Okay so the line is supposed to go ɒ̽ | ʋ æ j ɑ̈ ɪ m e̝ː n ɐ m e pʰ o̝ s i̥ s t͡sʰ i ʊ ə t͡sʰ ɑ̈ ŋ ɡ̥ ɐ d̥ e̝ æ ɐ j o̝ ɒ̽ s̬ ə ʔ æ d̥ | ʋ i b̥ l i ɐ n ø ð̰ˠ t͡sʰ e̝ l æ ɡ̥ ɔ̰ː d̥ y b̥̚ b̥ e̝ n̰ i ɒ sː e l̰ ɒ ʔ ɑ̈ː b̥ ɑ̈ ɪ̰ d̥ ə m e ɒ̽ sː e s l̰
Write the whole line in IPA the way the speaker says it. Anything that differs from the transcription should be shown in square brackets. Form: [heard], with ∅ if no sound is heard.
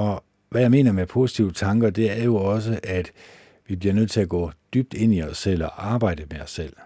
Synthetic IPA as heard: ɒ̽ | ʋ æ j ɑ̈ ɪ m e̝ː n ɐ m e pʰ o̝ s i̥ [∅] t͡sʰ i ʊ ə t͡sʰ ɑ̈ ŋ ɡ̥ ɐ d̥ e̝ æ ɐ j o̝ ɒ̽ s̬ ə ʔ æ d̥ | ʋ i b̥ l i ɐ n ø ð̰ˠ t͡sʰ e̝ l æ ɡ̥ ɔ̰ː d̥ y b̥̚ [d̥] e̝ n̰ i ɒ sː e l̰ ɒ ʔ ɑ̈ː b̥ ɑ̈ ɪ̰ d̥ ə m e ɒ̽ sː e [∅] l̰